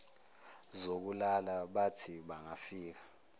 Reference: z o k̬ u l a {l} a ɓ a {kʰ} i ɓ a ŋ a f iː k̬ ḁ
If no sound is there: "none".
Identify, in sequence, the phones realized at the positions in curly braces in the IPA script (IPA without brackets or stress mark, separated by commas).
l, tʰ